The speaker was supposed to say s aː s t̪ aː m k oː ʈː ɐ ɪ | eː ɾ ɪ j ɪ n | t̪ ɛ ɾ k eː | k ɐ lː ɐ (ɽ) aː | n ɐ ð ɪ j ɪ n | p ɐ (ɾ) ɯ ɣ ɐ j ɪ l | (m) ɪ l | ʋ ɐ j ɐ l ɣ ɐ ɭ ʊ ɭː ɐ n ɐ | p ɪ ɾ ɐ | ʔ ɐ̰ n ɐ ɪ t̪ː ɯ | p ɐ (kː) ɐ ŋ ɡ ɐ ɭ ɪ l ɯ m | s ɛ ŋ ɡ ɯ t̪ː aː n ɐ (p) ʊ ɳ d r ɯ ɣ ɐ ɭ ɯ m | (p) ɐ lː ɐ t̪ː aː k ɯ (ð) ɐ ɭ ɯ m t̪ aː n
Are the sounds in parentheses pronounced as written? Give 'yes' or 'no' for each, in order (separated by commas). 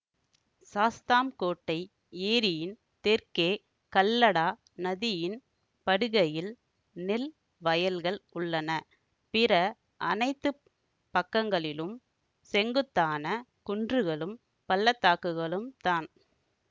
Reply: yes, no, no, yes, no, yes, no